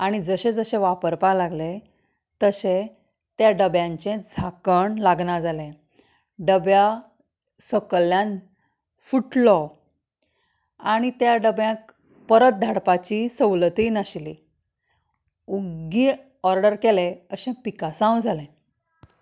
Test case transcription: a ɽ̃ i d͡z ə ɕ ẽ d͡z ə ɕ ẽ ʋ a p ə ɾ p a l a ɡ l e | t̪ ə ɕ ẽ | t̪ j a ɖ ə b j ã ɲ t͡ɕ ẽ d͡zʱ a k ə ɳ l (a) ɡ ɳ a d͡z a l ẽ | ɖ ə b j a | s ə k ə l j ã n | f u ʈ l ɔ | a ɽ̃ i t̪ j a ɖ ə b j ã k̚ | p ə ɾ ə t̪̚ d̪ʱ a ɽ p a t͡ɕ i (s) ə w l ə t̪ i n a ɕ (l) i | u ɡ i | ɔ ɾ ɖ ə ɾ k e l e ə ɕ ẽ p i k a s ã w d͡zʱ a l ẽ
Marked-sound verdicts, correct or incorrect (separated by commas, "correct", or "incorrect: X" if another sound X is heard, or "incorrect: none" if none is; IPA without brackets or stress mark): correct, correct, correct